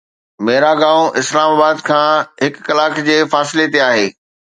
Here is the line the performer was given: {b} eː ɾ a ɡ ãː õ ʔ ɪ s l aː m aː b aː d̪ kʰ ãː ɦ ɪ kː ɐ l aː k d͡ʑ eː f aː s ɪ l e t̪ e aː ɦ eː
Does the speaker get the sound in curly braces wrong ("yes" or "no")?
yes